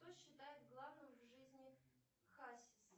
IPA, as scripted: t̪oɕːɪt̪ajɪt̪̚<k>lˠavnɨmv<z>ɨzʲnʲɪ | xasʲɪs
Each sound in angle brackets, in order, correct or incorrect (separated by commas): incorrect, incorrect